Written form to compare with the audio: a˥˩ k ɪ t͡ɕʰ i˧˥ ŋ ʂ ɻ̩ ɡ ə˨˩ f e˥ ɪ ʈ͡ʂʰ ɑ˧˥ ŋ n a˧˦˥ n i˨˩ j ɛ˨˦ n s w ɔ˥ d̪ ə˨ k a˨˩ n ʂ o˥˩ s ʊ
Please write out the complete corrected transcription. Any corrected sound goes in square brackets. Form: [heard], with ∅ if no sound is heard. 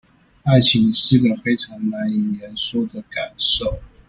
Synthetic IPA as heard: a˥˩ [∅] ɪ t͡ɕʰ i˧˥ ŋ ʂ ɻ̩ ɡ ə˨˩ f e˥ ɪ ʈ͡ʂʰ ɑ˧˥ ŋ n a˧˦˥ n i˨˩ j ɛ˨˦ n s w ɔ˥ d̪ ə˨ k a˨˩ n ʂ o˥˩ [∅] ʊ